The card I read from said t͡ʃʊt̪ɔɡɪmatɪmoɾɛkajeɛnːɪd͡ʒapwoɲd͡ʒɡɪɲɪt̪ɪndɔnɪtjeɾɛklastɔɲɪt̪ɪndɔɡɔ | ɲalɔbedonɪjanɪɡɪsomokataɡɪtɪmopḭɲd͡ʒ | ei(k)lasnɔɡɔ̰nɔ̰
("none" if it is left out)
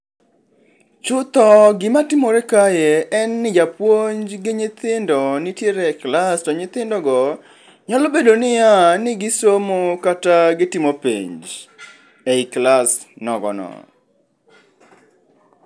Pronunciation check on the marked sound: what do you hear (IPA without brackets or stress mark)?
k